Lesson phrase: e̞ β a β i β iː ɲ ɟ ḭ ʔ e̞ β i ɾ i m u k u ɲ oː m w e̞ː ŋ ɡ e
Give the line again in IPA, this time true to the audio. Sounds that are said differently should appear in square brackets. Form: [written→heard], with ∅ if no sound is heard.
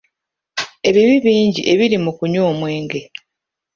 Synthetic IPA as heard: e̞ β [a→i] β i β iː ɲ ɟ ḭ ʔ e̞ β i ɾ i m u k u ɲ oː m w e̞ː ŋ ɡ e